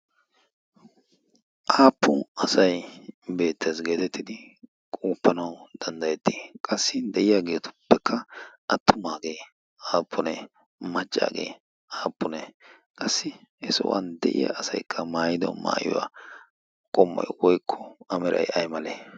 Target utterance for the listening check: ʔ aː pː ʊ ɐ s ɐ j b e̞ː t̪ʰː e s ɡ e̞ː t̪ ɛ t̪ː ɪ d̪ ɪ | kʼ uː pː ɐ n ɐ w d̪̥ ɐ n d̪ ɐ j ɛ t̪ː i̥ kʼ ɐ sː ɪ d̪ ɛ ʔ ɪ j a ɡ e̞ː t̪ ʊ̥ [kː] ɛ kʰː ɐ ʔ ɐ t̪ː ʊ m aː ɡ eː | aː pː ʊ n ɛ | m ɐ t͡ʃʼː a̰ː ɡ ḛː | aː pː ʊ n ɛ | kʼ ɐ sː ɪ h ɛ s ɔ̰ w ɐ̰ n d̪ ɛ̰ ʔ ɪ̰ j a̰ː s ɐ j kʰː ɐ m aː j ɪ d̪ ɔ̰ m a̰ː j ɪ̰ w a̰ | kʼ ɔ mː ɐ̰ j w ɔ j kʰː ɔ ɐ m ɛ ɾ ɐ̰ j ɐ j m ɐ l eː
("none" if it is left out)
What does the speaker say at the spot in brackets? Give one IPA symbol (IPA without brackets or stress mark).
pː